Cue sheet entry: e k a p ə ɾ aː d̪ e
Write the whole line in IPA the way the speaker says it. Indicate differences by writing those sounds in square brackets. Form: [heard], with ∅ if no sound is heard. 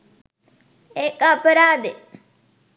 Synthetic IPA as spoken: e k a p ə ɾ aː d̪ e